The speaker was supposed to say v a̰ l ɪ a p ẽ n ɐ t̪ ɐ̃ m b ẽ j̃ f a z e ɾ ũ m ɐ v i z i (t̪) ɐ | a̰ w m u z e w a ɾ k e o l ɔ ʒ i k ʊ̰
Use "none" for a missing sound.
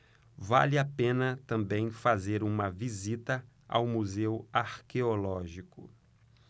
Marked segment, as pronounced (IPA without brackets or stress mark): t̪